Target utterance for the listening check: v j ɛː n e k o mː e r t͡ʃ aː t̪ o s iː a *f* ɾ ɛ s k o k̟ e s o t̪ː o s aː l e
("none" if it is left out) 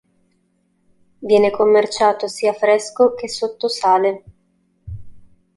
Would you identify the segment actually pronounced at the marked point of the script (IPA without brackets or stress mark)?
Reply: f